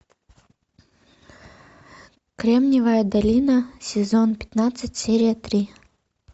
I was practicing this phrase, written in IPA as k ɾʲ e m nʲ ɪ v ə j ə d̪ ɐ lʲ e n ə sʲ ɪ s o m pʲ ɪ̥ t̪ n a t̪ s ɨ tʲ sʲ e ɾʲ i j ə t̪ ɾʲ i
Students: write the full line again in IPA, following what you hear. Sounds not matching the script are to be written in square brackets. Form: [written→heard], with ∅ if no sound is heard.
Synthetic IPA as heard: k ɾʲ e m nʲ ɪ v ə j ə d̪ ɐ lʲ [e→i] n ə sʲ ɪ [s→z] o [m→n] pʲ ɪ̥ t̪ n a t̪ s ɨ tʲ sʲ e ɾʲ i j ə t̪ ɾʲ i